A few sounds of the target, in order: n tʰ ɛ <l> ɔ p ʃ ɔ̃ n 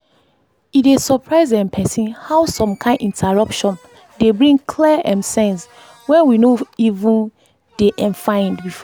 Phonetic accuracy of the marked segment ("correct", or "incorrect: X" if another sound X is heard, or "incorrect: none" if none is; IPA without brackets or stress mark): incorrect: ɹ